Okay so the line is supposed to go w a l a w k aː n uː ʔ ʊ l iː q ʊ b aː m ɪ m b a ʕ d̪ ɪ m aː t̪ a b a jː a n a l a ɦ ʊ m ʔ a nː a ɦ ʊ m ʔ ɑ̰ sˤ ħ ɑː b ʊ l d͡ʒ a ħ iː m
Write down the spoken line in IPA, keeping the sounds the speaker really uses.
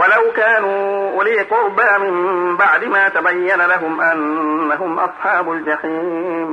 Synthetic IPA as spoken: w a l a w k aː n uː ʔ ʊ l iː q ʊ b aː m ɪ m b a ʕ d̪ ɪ m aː t̪ a b a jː a n a l a ɦ ʊ m ʔ a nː a ɦ ʊ m ʔ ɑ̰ sˤ ħ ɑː b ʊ l d͡ʒ a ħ iː m